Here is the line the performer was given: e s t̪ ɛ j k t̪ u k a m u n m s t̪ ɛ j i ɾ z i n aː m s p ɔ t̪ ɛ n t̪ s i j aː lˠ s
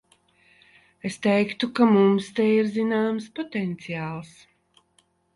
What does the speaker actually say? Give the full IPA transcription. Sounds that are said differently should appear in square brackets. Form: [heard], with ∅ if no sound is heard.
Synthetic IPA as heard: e s t̪ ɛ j k t̪ u k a m u [∅] m s t̪ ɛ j i ɾ z i n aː m s p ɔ t̪ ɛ n t̪ s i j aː lˠ s

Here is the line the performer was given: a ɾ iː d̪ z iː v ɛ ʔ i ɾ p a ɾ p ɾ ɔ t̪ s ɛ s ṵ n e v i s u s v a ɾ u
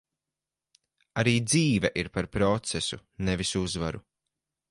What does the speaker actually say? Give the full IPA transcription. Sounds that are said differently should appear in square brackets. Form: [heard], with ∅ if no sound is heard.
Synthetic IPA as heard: a ɾ iː d̪ z iː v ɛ ʔ i ɾ p a ɾ p ɾ ɔ t̪ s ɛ s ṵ n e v i s u [z] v a ɾ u

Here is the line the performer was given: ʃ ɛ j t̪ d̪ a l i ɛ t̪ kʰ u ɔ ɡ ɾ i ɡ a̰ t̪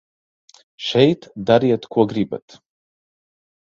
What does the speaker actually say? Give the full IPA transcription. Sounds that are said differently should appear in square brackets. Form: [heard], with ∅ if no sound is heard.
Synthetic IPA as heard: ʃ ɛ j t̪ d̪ a [ɾ] i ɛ t̪ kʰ u ɔ ɡ ɾ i [b] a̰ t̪

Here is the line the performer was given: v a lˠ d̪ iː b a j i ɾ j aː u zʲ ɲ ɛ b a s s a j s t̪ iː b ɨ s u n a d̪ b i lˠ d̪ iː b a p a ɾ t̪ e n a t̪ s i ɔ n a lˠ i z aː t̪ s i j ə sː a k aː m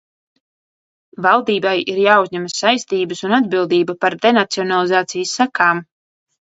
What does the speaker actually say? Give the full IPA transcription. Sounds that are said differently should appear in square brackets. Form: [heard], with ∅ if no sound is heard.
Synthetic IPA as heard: v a lˠ d̪ iː b a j i ɾ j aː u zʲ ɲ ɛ [m] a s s a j s t̪ iː b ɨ s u n a d̪ b i lˠ d̪ iː b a p a ɾ [d̪] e n a t̪ s i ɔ n a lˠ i z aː t̪ s i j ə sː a k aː m

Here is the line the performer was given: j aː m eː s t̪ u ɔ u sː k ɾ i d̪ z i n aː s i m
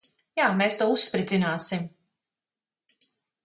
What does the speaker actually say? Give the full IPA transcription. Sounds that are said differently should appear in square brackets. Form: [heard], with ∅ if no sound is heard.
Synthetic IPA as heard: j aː m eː s t̪ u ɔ u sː [p] ɾ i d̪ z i n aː s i m

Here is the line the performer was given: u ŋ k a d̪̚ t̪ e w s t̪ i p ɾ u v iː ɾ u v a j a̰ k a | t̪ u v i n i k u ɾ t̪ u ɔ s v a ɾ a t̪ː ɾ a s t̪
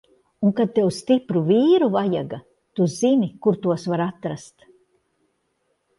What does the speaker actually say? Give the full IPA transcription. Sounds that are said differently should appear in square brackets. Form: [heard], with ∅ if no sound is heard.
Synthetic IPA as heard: u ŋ k a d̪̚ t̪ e w s t̪ i p ɾ u v iː ɾ u v a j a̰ [ɡ] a | t̪ u [z] i n i k u ɾ t̪ u ɔ s v a ɾ a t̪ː ɾ a s t̪

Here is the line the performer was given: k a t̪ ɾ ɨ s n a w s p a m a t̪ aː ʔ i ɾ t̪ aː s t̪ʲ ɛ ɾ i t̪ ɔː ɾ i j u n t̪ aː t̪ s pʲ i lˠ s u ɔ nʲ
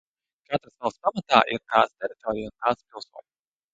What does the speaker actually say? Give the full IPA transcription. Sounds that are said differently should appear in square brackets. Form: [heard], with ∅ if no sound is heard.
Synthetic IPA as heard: k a t̪ ɾ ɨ s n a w s p a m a t̪ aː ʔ i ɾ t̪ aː s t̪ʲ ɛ ɾ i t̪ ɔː ɾ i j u n t̪ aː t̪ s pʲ i lˠ s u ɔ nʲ

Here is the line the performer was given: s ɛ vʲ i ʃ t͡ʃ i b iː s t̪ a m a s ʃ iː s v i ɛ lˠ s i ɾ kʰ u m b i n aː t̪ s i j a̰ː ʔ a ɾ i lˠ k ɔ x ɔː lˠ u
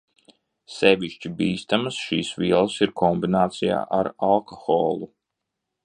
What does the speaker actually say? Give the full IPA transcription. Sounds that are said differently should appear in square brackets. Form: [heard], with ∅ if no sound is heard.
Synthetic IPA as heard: s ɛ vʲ i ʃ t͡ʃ i b iː s t̪ a m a s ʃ iː s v i ɛ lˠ s i ɾ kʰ [ɔ] m b i n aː t̪ s i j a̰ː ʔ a ɾ [a] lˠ k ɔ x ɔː lˠ u

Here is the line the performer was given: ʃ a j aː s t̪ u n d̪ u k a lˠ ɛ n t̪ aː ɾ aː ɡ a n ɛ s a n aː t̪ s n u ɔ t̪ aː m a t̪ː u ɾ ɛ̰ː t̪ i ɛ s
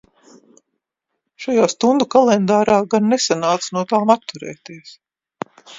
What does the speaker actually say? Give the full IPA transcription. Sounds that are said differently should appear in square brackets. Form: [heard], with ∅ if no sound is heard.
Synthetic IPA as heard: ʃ a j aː s t̪ u n d̪ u k a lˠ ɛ n [d̪] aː ɾ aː ɡ a [nː] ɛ s a n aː t̪ s n u ɔ t̪ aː m a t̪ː u ɾ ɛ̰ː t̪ i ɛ s

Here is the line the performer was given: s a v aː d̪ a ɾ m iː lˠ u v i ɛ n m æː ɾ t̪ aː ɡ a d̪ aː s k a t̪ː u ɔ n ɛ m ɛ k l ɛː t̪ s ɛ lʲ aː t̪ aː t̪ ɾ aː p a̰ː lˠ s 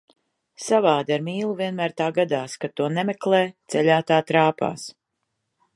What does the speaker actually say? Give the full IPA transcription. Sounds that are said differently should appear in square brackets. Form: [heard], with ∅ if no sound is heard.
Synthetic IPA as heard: s a v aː d̪ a ɾ m iː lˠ u v i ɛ n m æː ɾ t̪ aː ɡ a d̪ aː s k a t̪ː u ɔ n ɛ m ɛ k l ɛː t̪ s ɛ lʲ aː t̪ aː t̪ ɾ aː p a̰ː [∅] s

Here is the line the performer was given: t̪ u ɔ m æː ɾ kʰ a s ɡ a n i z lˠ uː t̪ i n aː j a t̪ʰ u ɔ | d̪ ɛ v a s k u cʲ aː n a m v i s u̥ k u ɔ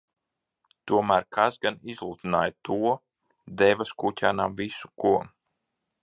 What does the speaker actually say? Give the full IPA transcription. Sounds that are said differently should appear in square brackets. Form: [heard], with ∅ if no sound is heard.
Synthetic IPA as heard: t̪ u ɔ m æː ɾ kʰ a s ɡ a n i z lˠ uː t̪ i n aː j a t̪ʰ u ɔ | d̪ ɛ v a s k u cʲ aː n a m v i s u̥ k u ɔ

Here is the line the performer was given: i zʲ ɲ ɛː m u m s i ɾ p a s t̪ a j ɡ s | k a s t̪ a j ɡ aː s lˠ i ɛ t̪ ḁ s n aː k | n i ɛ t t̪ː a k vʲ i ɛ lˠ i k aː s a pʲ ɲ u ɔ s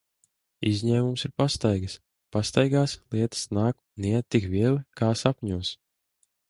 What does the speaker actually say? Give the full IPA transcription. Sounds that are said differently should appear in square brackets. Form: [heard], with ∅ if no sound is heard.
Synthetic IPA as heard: i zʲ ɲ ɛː m u m s i ɾ p a s t̪ a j ɡ s | [p] a s t̪ a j ɡ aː s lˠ i ɛ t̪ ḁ s n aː k | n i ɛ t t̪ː [i] k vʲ i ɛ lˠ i k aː s a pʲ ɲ u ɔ s

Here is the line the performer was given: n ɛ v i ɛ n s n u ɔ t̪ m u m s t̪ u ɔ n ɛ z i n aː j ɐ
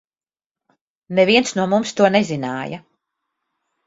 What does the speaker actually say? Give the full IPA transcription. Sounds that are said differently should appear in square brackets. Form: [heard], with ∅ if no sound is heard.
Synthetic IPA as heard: n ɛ v i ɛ n s n u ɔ [∅] m u m s t̪ u ɔ n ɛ z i n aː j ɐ

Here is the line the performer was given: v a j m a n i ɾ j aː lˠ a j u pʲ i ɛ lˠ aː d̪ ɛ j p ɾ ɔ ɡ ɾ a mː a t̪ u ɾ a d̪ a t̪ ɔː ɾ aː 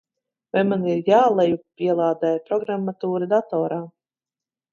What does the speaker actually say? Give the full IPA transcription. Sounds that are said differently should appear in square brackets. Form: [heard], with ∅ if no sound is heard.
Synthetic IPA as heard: v a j m a n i ɾ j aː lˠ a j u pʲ i ɛ lˠ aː d̪ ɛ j p ɾ ɔ ɡ ɾ a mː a t̪ [uː] ɾ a d̪ a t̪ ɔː ɾ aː

